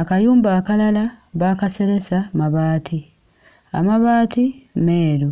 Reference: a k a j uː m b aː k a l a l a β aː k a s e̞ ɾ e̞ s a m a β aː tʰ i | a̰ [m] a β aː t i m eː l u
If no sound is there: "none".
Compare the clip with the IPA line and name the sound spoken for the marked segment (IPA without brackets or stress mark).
m